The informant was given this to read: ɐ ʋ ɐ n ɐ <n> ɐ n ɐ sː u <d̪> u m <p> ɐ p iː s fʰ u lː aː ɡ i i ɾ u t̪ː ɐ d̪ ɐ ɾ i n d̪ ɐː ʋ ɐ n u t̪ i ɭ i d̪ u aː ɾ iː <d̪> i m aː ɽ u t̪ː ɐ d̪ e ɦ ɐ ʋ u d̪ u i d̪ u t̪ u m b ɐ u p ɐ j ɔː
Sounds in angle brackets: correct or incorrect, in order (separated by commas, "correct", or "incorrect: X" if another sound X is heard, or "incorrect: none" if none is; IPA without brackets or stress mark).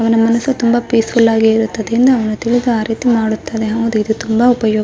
incorrect: m, incorrect: t̪, incorrect: b, incorrect: t̪